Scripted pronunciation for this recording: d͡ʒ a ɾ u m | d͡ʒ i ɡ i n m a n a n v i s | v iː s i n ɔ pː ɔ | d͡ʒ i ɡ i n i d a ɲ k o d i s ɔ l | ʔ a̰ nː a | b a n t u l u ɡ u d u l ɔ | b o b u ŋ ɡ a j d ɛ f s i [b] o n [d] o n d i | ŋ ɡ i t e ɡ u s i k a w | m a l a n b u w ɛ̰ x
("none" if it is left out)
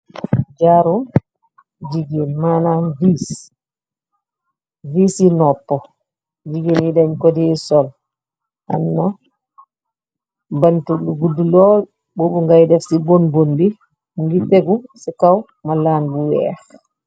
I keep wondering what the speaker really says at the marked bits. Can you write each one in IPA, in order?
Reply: b, b

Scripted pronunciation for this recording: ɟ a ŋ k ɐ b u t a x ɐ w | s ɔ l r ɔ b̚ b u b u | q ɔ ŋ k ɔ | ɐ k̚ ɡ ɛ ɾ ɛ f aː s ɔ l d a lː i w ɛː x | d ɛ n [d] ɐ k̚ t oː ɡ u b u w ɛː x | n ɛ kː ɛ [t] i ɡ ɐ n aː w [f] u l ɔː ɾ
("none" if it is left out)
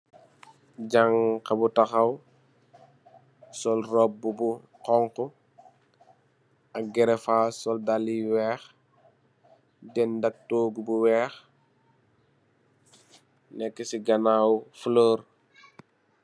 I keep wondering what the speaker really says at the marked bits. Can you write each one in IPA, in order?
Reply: d, s, f

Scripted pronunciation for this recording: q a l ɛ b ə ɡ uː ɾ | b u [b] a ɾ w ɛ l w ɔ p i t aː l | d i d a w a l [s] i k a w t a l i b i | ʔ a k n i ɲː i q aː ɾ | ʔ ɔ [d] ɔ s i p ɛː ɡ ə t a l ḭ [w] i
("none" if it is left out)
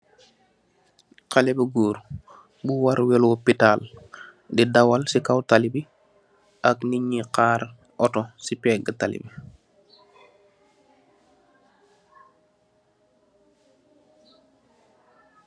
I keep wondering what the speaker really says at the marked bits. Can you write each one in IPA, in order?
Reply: w, s, t, b

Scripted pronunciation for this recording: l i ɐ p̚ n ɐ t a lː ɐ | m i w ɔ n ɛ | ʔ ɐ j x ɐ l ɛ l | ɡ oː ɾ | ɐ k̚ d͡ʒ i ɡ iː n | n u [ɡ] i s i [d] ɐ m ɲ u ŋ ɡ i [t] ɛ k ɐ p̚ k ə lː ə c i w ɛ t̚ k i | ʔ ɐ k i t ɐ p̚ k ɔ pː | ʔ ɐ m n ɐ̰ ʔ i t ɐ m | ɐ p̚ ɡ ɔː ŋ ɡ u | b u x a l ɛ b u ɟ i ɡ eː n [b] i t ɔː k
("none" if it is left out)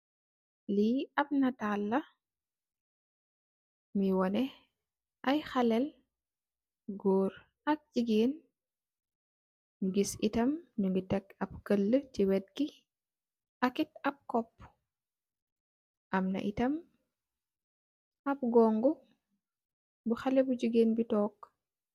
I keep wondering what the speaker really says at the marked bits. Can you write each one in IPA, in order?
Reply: ɡ, t, t, b

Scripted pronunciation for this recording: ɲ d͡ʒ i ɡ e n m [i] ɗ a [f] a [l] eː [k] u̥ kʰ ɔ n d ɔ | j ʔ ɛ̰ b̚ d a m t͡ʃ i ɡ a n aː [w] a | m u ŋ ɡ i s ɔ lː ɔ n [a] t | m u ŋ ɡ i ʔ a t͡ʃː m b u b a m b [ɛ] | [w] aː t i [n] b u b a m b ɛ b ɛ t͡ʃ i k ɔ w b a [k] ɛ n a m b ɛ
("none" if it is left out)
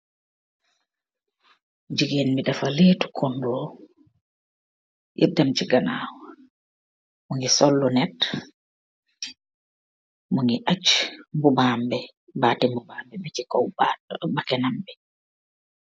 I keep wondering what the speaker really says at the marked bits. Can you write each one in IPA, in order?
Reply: i, f, l, t, w, ɛ, ɛ, b, m, k

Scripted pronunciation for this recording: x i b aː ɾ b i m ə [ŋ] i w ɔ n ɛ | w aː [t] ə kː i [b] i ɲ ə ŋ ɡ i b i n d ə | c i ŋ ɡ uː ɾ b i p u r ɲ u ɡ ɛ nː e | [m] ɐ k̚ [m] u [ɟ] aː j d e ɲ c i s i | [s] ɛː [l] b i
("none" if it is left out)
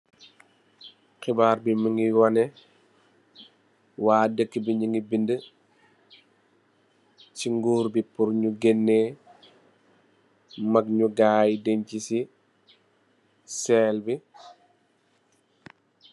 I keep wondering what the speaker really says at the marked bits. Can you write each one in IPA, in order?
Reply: ŋ, d, b, m, ɲ, ɡ, s, l

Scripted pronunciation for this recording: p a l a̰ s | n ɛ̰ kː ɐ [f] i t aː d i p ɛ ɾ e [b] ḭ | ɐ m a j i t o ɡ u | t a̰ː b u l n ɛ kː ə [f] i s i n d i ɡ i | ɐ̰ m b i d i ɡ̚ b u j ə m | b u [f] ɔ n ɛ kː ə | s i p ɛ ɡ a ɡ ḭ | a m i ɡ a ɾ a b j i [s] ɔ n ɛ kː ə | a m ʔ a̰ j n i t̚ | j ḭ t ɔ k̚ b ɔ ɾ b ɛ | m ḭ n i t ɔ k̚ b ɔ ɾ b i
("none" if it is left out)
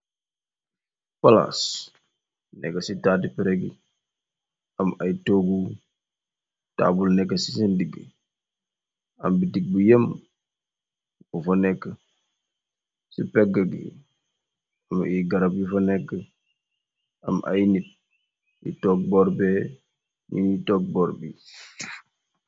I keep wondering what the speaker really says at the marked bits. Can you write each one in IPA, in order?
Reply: s, ɡ, s, f, f

